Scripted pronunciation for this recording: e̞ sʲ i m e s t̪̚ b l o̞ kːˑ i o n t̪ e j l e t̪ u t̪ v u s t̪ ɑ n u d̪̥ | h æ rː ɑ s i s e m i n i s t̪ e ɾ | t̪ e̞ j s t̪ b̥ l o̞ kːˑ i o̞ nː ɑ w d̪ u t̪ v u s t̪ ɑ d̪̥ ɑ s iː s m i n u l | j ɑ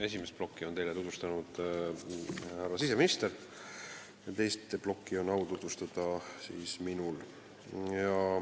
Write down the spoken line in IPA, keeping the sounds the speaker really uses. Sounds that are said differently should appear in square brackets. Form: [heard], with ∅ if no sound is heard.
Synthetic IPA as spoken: e̞ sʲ i m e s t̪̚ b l o̞ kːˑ i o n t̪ e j l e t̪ u t̪ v u s t̪ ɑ n u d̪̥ | h æ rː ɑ s i s e m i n i s t̪ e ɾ | t̪ e̞ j s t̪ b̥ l o̞ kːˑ i o̞ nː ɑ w [t̪] u t̪ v u s t̪ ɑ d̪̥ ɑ s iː s m i n u l | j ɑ